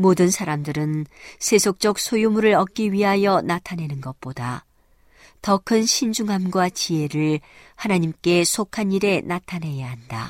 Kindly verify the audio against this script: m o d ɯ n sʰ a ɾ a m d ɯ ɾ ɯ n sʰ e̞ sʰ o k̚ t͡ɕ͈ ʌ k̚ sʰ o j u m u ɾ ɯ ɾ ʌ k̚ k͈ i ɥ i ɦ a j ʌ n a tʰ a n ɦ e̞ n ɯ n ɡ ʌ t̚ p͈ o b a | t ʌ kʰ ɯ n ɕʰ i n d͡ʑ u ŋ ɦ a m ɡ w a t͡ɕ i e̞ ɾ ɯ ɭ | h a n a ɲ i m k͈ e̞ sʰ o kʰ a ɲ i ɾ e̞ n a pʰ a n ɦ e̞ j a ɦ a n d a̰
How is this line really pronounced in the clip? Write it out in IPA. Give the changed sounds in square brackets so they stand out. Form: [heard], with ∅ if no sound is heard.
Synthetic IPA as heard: m o d ɯ n sʰ a ɾ a m d ɯ ɾ ɯ n sʰ e̞ sʰ o k̚ t͡ɕ͈ ʌ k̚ sʰ o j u m u ɾ ɯ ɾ ʌ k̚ k͈ i ɥ i ɦ a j ʌ n a tʰ a n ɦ e̞ n ɯ n ɡ ʌ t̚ p͈ o [d] a | t ʌ kʰ ɯ n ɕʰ i n d͡ʑ u ŋ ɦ a m ɡ w a t͡ɕ i e̞ ɾ ɯ ɭ | h a n a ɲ i m k͈ e̞ sʰ o kʰ a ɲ i ɾ e̞ n a [tʰ] a n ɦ e̞ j a ɦ a n d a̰